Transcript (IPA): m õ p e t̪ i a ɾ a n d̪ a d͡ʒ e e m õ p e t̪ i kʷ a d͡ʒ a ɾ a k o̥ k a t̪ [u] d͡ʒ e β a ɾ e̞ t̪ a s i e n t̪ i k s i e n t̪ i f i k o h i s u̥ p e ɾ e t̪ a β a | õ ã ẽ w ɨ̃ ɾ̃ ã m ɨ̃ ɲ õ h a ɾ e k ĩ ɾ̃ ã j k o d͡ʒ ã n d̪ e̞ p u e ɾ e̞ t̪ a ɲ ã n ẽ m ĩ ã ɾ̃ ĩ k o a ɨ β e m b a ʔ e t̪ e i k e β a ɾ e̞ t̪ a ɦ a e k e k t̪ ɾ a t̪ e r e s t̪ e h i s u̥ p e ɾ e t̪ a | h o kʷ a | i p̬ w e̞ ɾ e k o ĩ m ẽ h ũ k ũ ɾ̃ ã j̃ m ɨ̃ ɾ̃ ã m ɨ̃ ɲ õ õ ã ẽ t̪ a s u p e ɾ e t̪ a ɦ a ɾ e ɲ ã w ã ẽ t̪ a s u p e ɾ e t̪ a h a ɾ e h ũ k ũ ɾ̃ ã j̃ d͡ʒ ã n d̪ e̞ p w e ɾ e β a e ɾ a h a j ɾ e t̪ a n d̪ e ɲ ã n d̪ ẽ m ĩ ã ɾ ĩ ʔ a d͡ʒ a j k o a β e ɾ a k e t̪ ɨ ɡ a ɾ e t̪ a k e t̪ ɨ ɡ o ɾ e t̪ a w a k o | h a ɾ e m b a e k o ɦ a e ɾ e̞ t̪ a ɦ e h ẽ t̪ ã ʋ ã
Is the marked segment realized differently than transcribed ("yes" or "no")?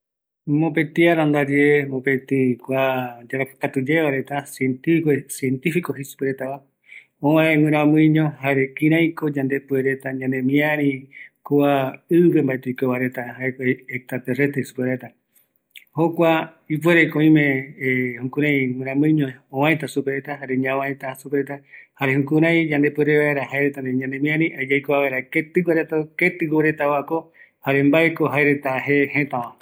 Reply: no